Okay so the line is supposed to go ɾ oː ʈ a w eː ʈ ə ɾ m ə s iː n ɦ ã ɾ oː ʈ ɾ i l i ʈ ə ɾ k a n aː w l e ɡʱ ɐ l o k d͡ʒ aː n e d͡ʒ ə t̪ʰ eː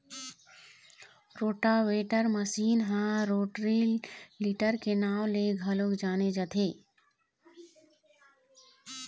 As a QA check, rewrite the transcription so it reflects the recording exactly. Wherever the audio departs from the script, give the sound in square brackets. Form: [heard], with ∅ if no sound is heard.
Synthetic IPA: ɾ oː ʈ a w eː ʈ ə ɾ m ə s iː n ɦ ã ɾ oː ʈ ɾ i l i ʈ ə ɾ k [e] n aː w l e ɡʱ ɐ l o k d͡ʒ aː n e d͡ʒ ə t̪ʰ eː

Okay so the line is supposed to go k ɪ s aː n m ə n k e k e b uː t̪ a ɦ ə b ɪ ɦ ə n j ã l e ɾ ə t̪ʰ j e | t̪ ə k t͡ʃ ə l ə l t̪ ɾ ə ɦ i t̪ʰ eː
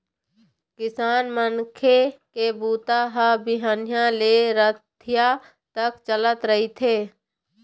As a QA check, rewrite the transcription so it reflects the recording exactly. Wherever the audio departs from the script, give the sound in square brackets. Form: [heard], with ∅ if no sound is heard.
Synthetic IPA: k ɪ s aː n m ə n [kʰ] e k e b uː t̪ a ɦ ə b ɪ ɦ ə n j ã l e ɾ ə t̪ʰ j [a] | t̪ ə k t͡ʃ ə l ə [∅] t̪ ɾ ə ɦ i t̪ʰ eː

